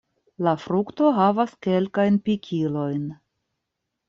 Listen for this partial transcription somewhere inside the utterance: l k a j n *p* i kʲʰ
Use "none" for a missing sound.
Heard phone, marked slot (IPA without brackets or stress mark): p